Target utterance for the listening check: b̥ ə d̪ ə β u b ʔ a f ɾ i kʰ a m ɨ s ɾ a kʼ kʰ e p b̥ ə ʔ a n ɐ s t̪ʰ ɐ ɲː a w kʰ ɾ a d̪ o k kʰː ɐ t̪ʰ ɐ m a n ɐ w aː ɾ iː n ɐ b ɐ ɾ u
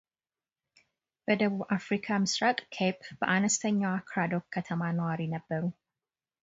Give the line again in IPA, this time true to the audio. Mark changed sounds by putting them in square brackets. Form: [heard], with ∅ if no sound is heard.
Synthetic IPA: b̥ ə d̪ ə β u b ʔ a f ɾ i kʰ a m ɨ s ɾ a kʼ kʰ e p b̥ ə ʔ a n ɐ s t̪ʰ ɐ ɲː a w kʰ ɾ a d̪ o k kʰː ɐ t̪ʰ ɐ m a n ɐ w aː ɾ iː n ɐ [bː] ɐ ɾ u